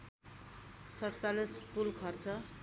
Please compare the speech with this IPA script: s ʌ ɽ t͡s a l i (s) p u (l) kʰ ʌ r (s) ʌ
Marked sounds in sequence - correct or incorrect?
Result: correct, correct, incorrect

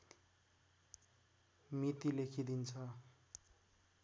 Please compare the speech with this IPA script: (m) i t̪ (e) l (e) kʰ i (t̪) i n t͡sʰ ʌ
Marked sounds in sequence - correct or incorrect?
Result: correct, incorrect, correct, incorrect

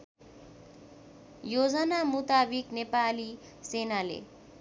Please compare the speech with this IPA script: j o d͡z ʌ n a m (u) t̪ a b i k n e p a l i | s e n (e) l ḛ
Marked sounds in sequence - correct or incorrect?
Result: correct, incorrect

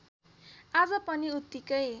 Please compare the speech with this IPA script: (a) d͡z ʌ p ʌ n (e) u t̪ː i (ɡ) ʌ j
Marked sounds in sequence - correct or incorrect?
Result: correct, incorrect, incorrect

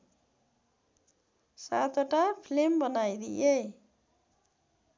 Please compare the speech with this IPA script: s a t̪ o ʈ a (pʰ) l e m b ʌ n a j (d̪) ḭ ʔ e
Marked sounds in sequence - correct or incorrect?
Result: correct, correct

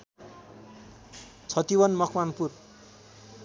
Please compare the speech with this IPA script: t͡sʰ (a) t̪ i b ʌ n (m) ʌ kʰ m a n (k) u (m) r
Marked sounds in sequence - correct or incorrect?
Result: incorrect, correct, incorrect, incorrect

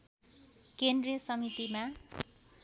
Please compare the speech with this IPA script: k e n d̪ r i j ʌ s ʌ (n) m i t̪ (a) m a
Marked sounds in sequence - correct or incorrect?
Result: incorrect, incorrect

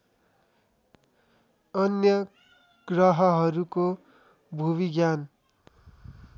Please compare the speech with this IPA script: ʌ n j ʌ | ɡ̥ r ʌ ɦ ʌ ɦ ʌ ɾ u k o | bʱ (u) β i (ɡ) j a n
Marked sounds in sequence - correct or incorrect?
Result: correct, correct

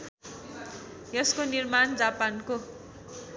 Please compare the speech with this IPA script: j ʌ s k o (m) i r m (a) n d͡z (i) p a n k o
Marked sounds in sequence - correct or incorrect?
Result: incorrect, correct, incorrect

